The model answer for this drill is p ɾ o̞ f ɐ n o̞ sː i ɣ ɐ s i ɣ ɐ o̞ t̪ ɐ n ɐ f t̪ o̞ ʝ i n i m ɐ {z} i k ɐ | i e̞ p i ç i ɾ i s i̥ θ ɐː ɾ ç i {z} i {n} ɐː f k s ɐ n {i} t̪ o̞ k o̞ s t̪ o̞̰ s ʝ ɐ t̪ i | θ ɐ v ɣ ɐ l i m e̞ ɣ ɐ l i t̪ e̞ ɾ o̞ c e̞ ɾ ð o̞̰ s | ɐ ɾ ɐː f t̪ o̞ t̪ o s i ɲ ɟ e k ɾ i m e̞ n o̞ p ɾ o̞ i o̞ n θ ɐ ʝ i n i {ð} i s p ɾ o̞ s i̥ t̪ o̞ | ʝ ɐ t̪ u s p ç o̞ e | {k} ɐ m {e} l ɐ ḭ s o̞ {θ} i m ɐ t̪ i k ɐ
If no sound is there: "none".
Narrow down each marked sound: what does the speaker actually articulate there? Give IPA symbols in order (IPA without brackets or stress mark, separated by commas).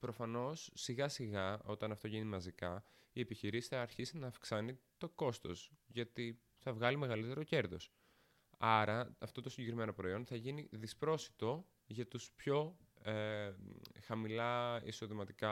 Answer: z, s, n, i, ð, x, i, ð